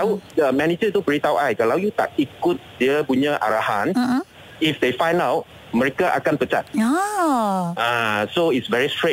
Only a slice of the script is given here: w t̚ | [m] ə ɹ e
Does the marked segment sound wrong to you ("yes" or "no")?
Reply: no